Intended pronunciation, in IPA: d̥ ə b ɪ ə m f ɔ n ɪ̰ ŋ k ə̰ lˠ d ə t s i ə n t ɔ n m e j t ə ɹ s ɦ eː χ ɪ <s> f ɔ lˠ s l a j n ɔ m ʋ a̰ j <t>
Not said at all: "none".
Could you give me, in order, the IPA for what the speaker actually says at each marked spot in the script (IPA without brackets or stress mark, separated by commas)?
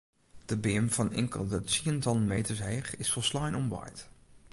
s, t